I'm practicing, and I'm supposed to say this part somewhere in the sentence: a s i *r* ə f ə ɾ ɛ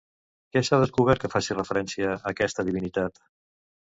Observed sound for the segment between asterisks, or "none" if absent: r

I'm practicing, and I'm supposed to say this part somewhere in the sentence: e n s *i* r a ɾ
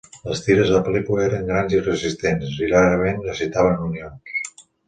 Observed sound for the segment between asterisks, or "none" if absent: i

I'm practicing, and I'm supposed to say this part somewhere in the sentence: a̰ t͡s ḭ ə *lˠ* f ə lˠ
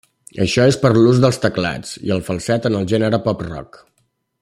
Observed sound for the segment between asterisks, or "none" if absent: lˠ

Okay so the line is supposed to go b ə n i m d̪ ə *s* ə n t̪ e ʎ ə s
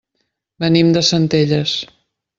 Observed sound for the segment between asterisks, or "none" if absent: s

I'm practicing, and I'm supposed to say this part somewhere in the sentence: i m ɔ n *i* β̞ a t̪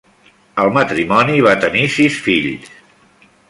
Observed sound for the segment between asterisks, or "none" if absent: i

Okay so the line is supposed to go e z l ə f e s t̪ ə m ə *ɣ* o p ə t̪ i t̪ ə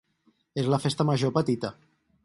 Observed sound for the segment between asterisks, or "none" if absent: ʒ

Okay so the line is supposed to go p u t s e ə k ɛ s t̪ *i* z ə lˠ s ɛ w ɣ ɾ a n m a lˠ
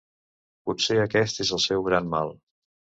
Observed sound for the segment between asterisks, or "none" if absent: e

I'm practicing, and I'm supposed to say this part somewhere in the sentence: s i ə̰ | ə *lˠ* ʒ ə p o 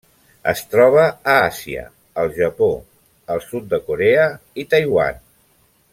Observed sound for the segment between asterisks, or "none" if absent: lˠ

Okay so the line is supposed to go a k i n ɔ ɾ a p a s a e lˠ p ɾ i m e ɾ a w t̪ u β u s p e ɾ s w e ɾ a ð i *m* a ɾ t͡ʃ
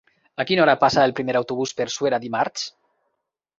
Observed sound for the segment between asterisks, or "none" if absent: m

